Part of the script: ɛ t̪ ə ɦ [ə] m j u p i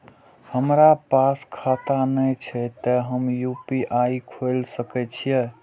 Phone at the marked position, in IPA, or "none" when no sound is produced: ə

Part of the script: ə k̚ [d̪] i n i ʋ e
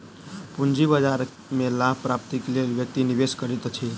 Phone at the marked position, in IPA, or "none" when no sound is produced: t̪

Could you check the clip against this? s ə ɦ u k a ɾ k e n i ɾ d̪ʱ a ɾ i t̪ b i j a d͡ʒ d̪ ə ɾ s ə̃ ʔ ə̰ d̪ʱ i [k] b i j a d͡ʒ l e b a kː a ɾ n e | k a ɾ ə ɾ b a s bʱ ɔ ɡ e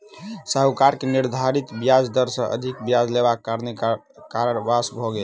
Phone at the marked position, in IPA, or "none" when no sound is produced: k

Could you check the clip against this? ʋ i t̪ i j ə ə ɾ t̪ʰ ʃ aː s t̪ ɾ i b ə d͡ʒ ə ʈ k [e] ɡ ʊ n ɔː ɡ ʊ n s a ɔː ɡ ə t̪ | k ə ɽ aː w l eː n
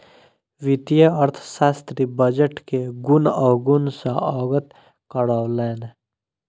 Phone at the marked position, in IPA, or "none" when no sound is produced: e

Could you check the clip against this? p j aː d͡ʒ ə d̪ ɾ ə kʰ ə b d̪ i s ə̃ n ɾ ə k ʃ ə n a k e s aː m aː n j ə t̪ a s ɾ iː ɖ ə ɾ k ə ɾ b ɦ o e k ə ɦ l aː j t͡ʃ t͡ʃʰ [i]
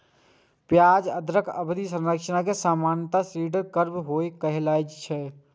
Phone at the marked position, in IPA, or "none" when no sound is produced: ɛ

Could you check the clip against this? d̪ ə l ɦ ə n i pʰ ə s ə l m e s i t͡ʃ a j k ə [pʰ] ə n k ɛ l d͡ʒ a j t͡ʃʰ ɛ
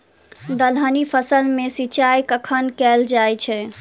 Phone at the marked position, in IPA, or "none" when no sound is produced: kʰ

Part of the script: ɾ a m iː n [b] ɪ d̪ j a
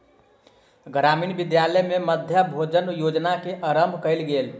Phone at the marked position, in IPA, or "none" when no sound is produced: b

